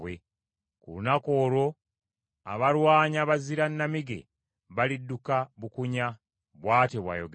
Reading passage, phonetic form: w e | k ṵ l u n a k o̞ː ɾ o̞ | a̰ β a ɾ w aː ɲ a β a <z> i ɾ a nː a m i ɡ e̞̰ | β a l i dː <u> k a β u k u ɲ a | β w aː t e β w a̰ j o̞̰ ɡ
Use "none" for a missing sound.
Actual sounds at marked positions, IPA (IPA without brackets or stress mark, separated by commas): z, u